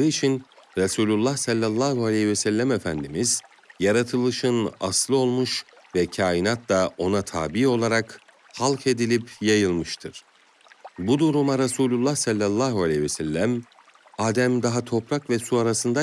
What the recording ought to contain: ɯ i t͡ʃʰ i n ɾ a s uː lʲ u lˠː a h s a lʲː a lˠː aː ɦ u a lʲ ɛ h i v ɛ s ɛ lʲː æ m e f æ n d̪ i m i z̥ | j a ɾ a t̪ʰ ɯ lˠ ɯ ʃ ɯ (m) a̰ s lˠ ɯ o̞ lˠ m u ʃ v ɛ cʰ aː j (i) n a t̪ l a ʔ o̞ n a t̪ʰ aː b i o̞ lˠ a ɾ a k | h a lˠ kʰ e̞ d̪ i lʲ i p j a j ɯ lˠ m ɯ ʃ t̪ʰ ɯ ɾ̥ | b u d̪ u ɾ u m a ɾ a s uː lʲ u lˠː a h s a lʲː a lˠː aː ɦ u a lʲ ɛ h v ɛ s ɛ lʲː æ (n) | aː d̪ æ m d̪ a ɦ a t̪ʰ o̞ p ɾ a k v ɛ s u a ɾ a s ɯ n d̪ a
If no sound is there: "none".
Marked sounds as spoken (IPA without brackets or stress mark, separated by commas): n, i, m